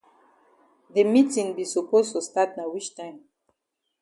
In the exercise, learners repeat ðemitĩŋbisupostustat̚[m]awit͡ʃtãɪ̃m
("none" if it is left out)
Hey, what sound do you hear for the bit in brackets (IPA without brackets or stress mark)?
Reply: n